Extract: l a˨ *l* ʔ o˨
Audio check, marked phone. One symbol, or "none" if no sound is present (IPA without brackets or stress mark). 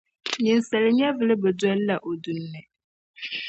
none